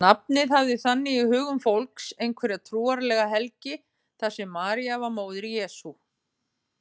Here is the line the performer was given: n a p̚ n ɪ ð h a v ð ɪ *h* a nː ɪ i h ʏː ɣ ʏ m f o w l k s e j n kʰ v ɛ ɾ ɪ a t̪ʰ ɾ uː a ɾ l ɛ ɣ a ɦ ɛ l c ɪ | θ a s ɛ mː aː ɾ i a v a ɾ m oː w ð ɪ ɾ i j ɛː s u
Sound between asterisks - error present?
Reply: yes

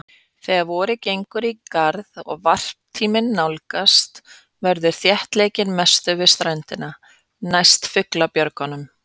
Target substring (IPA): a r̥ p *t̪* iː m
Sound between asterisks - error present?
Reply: yes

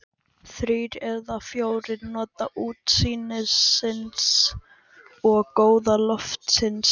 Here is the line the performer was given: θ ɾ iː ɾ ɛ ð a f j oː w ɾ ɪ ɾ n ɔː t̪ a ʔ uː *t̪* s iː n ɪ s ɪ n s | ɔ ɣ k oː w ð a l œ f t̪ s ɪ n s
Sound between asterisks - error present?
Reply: no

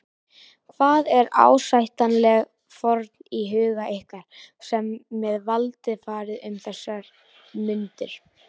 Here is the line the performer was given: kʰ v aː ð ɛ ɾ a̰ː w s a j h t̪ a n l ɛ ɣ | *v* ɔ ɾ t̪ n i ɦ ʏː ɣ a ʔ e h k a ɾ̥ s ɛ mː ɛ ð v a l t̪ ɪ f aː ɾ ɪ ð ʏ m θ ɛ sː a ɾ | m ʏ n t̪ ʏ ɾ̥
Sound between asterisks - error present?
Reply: yes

